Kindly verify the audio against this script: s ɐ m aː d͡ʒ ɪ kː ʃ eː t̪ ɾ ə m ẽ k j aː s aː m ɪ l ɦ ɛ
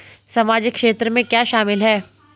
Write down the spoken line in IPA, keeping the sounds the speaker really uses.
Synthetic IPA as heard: s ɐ m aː d͡ʒ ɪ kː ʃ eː t̪ ɾ ə m ẽ k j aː ʃ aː m ɪ l ɦ ɛː